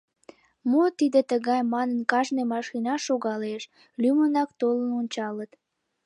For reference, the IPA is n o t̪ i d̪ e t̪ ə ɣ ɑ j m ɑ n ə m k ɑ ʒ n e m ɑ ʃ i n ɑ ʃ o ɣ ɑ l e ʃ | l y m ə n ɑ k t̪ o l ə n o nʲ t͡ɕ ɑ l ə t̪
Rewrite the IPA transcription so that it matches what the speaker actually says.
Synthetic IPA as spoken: m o t̪ i d̪ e t̪ ə ɣ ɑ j m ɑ n ə n k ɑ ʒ n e m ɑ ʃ i n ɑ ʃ o ɣ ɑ l e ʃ | l y m ə n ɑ k t̪ o l ə n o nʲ t͡ɕ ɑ l ə t̪